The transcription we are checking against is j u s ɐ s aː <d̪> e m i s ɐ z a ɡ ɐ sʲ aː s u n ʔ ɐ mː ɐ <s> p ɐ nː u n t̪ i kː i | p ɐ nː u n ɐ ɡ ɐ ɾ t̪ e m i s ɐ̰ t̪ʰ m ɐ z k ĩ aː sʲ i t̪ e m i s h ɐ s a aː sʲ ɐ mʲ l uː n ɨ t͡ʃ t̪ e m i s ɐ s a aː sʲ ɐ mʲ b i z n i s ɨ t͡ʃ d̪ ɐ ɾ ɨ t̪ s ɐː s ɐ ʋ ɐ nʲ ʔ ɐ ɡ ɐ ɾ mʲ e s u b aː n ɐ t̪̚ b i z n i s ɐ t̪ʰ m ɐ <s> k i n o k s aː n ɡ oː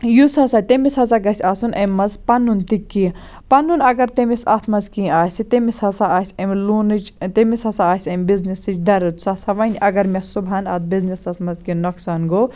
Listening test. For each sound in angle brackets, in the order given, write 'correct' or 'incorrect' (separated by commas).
incorrect, incorrect, incorrect